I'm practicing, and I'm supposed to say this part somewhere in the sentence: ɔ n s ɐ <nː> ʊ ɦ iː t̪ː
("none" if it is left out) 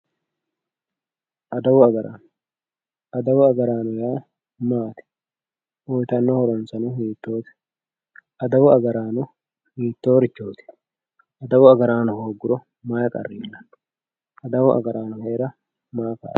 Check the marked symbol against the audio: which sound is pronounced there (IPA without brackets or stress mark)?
n